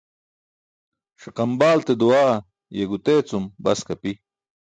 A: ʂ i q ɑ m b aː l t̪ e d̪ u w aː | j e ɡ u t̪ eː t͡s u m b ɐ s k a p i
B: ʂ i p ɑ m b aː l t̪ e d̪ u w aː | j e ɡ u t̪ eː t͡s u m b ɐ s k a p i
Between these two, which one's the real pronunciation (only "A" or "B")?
A